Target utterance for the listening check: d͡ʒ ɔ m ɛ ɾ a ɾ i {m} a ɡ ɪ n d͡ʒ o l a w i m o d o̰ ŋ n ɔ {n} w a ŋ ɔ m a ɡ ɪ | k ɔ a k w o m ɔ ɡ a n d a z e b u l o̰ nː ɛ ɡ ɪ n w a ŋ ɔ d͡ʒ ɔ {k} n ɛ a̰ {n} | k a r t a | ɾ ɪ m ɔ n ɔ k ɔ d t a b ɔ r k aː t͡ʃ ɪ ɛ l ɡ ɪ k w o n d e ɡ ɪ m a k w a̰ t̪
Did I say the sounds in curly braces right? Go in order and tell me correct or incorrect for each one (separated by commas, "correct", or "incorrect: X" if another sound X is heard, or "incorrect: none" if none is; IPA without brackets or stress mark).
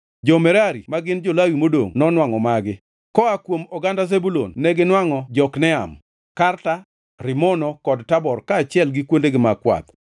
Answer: correct, correct, correct, incorrect: m